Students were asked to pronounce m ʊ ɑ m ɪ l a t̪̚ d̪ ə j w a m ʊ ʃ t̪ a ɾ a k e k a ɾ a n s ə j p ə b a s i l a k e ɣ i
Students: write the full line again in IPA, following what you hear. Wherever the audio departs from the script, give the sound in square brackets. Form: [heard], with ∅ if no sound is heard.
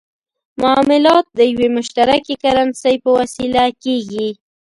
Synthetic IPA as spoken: m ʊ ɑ m ɪ l [ɑ] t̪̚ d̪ ə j w [e] m ʊ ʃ t̪ a ɾ a k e k a ɾ a n s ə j p ə [w] a s i l a k e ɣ i